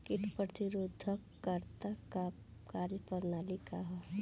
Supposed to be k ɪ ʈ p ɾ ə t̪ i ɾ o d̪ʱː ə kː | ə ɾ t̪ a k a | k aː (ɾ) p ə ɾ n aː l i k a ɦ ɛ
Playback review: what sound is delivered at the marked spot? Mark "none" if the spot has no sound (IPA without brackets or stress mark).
l